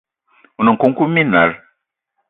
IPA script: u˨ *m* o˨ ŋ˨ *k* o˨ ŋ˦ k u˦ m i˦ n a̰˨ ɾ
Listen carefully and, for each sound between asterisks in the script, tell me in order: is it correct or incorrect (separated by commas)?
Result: incorrect, correct